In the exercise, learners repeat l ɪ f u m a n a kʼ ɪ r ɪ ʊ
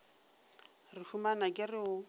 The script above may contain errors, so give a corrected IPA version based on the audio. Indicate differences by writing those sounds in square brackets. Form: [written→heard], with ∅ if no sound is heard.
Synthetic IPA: [l→r] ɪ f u m a n a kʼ ɪ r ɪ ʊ